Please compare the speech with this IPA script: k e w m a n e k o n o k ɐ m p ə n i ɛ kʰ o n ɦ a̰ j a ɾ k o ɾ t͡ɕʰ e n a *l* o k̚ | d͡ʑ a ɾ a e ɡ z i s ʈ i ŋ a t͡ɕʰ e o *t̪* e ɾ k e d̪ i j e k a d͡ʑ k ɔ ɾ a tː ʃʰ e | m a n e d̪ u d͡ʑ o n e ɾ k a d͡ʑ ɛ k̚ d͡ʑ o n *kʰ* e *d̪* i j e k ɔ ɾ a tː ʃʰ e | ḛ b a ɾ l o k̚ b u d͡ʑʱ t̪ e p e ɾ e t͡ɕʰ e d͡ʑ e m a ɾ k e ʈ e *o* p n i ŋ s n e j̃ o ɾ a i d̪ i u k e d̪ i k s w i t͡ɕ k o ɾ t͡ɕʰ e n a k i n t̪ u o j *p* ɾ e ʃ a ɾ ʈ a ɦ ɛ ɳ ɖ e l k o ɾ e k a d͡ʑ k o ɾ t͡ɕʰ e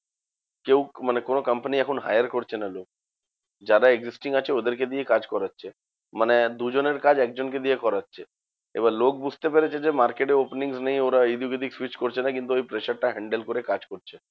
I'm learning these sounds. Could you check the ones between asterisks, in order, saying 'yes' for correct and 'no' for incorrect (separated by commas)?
yes, no, no, yes, yes, yes